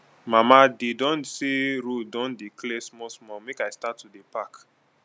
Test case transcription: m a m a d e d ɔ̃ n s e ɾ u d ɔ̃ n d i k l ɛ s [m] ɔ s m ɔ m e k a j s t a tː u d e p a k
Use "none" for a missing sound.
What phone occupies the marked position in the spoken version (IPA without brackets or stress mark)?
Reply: m